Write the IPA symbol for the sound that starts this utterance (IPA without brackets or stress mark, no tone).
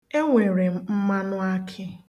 e